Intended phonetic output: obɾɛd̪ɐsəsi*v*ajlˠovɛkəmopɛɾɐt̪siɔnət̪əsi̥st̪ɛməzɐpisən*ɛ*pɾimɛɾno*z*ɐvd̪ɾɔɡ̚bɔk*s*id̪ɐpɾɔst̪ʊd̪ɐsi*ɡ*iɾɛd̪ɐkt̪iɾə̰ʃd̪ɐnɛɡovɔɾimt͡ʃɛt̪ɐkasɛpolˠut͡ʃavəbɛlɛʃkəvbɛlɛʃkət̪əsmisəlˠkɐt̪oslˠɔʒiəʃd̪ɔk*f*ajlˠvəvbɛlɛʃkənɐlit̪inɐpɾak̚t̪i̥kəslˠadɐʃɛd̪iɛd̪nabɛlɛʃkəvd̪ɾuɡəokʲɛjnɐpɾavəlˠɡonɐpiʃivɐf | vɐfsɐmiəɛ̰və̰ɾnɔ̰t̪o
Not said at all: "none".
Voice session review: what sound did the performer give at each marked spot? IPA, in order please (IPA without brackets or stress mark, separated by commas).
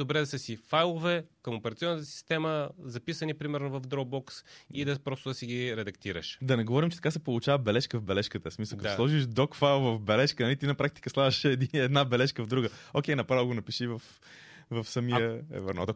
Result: f, i, v, s, ɡ, f